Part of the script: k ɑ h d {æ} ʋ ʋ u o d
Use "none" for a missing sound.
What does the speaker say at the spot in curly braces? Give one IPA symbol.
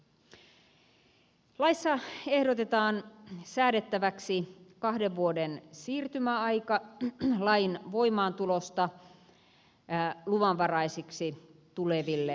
e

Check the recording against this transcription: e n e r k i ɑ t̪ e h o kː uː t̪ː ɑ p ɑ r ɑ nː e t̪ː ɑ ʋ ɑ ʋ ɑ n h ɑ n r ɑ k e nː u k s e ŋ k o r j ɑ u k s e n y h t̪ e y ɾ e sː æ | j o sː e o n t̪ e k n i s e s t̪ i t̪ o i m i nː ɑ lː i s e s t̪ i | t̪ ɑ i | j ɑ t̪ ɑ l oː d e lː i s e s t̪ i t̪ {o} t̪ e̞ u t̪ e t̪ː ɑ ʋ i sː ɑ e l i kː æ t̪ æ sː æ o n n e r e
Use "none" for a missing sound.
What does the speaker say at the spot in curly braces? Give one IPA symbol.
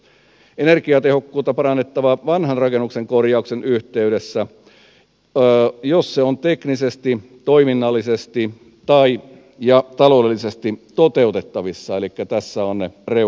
o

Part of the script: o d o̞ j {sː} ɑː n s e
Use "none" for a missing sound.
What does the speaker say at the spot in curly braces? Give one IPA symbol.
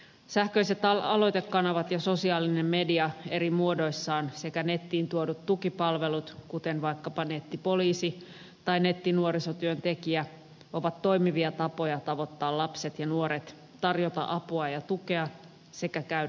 sː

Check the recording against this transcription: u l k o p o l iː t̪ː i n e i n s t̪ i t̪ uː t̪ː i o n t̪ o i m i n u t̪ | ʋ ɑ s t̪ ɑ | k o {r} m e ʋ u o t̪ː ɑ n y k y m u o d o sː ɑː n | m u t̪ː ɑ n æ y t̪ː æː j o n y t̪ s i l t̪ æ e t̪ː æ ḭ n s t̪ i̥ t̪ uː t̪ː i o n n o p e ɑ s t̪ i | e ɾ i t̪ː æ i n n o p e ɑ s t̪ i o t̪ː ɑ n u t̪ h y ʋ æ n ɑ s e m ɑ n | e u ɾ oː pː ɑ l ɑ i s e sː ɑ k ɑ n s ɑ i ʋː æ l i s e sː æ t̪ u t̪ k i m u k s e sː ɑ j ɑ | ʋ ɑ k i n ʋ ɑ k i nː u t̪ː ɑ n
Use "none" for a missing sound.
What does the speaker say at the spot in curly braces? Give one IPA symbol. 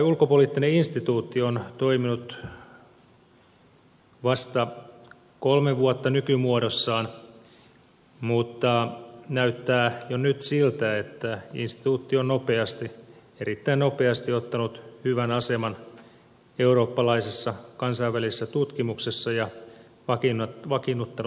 l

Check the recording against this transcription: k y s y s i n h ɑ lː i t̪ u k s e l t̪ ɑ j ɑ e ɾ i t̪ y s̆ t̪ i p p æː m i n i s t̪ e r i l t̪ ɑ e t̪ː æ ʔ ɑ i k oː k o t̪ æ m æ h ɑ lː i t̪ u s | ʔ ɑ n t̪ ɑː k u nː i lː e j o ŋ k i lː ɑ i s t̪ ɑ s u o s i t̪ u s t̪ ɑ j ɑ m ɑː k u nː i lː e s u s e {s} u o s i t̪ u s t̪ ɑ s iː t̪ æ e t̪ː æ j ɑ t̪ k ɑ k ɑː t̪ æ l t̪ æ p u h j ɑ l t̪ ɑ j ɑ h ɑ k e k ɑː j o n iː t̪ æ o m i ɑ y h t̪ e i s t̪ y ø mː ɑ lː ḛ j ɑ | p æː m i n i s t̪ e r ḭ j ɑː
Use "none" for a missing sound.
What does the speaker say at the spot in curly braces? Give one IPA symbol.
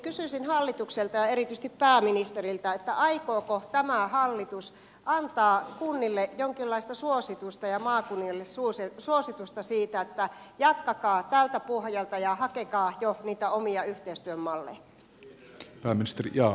s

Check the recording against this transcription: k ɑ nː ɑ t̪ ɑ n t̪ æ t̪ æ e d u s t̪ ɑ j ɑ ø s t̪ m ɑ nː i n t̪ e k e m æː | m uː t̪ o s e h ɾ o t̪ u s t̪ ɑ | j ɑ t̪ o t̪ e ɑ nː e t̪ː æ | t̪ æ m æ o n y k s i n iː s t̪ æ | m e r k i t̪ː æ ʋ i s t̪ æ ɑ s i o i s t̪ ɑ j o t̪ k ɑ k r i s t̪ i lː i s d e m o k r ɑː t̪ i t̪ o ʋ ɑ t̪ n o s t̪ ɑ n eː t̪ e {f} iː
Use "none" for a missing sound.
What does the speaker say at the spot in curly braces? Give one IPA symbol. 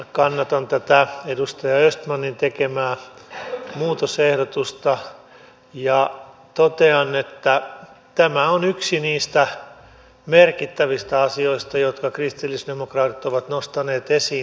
s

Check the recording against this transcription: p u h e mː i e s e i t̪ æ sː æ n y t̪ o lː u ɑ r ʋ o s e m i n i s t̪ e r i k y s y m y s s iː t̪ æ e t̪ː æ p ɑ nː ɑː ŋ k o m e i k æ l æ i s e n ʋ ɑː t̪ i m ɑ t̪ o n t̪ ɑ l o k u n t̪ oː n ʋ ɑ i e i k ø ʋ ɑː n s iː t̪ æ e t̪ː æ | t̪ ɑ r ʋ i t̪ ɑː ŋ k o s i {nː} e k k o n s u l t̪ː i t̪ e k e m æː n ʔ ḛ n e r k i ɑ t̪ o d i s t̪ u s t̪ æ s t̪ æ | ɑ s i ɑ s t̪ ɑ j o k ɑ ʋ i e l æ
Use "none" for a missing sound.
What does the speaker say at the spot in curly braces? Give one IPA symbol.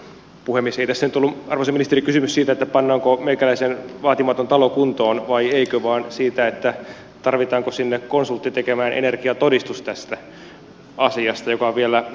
nː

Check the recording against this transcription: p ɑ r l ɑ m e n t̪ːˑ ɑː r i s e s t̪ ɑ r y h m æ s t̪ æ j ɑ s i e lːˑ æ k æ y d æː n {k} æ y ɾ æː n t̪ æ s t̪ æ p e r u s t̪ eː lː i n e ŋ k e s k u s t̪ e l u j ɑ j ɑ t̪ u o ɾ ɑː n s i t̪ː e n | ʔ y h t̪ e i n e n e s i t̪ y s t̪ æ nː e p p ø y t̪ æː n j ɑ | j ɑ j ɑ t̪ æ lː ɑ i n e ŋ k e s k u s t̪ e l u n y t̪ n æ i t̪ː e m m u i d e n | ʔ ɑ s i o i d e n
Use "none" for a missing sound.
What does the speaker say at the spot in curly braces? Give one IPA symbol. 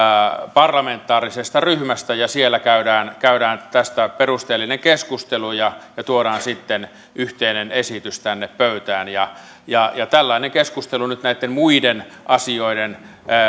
k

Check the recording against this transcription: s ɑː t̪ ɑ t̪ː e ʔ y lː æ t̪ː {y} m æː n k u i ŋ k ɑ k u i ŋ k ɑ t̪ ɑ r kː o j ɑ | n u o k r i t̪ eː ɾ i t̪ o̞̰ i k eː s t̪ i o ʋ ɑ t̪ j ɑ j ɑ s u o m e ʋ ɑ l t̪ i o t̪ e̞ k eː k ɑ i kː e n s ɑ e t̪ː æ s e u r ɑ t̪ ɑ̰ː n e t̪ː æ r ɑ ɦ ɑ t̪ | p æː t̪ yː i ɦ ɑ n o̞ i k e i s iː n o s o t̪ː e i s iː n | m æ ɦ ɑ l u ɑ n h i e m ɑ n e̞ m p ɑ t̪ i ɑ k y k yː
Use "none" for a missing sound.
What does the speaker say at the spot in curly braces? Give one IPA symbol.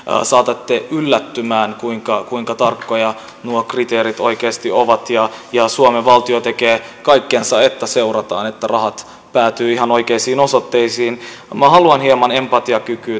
y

